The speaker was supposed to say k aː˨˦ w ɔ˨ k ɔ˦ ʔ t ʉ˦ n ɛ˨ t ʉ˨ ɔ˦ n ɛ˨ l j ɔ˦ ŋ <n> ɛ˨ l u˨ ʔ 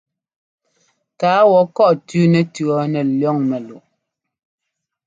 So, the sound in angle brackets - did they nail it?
no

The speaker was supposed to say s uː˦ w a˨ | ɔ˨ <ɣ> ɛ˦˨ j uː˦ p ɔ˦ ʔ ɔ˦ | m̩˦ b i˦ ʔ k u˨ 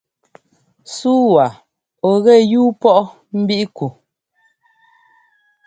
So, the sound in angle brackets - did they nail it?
yes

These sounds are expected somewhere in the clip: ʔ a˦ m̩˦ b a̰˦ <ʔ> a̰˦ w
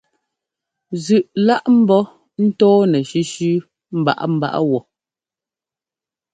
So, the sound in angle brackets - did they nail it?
yes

